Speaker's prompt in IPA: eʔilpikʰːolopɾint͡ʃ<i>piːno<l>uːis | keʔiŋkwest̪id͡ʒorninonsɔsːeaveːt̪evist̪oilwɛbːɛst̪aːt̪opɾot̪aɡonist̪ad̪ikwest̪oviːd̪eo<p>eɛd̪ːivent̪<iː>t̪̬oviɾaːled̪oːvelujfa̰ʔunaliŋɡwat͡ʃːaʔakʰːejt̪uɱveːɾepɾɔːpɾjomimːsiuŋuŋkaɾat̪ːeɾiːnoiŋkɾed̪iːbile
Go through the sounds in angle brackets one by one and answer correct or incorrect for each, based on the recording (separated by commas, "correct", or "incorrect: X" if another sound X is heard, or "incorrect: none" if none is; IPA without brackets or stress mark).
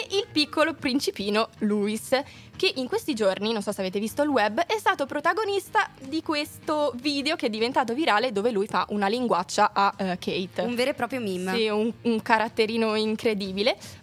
correct, correct, incorrect: k, incorrect: aː